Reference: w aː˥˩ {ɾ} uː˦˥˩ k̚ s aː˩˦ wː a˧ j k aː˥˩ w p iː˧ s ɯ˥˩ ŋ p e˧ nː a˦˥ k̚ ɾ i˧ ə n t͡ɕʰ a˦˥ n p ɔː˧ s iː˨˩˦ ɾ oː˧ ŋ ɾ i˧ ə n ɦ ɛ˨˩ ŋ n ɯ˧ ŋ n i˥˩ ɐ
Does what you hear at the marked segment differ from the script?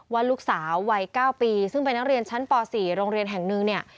yes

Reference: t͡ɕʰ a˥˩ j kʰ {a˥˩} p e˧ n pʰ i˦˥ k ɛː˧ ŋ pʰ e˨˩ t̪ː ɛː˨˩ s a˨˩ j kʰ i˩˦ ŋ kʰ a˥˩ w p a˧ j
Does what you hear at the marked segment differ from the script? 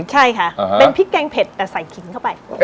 yes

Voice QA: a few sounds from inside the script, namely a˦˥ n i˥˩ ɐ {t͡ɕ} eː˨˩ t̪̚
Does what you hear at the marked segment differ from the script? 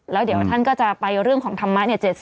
no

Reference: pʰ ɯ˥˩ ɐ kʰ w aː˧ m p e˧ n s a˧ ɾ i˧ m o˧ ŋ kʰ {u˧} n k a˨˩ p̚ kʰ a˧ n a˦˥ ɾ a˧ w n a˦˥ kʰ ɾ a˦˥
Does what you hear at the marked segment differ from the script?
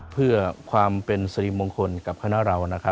yes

